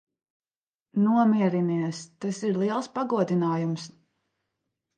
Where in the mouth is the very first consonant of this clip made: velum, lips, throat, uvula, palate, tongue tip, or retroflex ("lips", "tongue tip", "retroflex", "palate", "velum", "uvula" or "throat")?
tongue tip